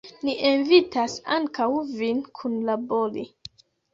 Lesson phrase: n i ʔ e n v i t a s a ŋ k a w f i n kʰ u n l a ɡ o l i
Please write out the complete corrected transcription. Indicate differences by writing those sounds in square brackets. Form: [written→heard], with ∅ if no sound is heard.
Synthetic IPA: n i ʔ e n v i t a s a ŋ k a w [f→v] i n kʰ u n l a [ɡ→b] o l i